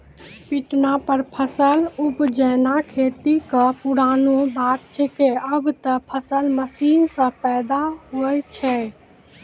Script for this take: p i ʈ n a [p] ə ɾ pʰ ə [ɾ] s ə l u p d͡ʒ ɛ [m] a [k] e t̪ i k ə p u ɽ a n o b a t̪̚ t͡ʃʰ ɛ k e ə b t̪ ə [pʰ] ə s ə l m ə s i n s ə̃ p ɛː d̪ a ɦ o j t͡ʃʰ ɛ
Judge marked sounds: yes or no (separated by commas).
yes, no, no, no, yes